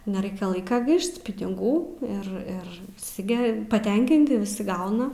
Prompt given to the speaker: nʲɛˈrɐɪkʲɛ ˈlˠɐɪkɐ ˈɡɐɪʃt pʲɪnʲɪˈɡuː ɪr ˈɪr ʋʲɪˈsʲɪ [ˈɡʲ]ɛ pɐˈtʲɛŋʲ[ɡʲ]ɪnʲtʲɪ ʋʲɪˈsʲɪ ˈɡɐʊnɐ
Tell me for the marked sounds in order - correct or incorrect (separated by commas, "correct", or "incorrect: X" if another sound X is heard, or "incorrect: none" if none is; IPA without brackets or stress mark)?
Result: correct, incorrect: kʲ